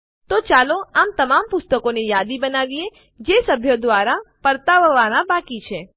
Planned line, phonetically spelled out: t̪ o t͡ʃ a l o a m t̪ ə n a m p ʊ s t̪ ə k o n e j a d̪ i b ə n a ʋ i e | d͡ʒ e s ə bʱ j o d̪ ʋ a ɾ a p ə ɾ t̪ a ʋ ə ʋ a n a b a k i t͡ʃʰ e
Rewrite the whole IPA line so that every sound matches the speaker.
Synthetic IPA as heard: t̪ o t͡ʃ a l o a m t̪ ə m a m p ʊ s t̪ ə k o n e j a d̪ i b ə n a ʋ i e | d͡ʒ e s ə bʱ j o d̪ ʋ a ɾ a p ə ɾ t̪ a ʋ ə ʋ a n a b a k i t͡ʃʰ e